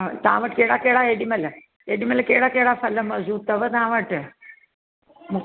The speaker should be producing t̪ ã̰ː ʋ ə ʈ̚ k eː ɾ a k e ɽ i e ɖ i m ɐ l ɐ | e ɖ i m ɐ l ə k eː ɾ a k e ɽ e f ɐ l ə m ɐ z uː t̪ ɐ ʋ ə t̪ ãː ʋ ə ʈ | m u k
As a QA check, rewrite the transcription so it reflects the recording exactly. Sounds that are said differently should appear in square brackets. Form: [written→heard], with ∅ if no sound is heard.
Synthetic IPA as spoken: t̪ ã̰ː ʋ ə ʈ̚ k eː [ɾ→ɽ] a k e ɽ [i→a] e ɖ i m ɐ l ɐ | e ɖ i m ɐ l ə k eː [ɾ→ɽ] a k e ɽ [e→a] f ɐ l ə m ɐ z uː t̪ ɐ ʋ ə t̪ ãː ʋ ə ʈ | m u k